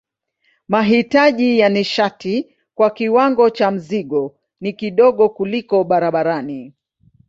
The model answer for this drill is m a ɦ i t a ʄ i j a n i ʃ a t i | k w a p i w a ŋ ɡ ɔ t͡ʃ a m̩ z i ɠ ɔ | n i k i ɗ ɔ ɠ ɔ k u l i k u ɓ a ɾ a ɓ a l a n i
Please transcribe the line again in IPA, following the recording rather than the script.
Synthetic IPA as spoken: m a ɦ i t a ʄ i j a n i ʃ a t i | k w a k i w a ŋ ɡ ɔ t͡ʃ a m̩ z i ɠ ɔ | n i k i ɗ ɔ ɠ ɔ k u l i k ɔ ɓ a ɾ a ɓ a ɾ a n i